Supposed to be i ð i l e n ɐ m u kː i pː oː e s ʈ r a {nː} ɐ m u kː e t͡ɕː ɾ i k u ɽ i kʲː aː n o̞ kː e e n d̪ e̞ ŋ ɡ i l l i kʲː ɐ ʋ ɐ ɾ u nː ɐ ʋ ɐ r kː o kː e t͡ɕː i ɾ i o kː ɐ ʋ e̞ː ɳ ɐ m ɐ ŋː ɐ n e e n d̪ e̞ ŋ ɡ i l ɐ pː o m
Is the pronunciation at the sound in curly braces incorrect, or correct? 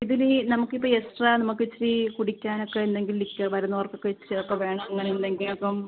incorrect